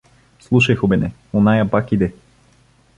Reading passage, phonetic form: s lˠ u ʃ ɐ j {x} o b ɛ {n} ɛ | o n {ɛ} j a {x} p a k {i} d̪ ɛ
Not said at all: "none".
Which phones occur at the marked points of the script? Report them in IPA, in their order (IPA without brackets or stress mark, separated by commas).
x, n, a, none, i